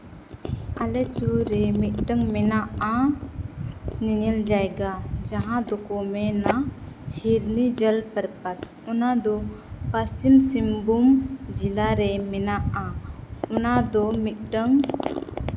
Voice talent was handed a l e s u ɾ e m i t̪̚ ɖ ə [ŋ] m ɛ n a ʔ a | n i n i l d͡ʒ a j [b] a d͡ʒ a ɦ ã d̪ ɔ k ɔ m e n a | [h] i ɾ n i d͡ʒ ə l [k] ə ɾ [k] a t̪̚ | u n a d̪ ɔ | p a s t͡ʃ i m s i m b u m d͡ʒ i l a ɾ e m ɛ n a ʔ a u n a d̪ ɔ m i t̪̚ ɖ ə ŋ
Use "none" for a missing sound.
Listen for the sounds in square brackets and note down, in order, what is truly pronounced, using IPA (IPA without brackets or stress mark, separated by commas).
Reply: ŋ, ɡ, h, p, p